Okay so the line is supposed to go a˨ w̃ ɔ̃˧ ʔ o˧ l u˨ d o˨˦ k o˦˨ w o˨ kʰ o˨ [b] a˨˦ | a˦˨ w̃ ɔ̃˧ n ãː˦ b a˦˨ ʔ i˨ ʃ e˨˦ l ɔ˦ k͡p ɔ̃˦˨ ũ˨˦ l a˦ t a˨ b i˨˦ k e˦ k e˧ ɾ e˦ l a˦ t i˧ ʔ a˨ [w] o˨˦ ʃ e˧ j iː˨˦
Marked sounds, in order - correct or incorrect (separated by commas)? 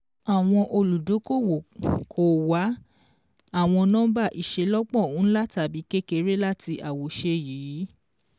incorrect, correct